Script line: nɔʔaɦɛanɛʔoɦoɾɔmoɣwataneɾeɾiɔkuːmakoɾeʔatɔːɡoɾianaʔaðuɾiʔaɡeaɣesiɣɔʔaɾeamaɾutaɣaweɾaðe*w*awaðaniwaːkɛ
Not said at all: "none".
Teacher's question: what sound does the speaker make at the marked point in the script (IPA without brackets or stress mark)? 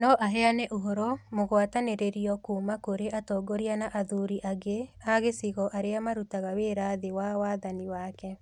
w